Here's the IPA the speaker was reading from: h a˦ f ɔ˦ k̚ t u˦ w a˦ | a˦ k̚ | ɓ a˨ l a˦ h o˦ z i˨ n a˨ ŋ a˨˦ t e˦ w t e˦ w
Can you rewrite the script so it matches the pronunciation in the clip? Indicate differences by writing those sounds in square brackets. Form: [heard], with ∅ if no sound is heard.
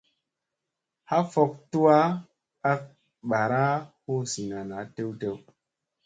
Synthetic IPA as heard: h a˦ f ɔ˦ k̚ t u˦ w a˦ | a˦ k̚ | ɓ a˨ [ɾ] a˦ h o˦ [s] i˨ n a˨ [n] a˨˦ t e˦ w t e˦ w